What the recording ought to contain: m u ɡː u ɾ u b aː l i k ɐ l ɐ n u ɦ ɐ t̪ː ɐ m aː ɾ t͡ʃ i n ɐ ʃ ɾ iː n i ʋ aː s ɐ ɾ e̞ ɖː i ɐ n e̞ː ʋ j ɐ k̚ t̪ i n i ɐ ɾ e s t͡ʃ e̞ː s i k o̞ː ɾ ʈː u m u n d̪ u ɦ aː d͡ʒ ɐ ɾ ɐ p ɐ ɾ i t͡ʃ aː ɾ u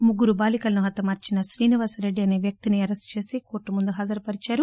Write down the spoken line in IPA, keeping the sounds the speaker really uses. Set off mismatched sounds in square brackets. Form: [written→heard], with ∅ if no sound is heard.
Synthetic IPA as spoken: m u ɡː u ɾ u b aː l i k ɐ l ɐ n u ɦ ɐ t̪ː ɐ m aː ɾ t͡ʃ i n ɐ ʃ ɾ iː n i ʋ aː s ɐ ɾ e̞ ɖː i ɐ n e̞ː ʋ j ɐ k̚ t̪ i n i ɐ ɾ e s t͡ʃ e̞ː s i k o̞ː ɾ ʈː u m u n d̪ u ɦ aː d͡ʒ ɐ ɾ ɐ p ɐ ɾ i t͡ʃ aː ɾ u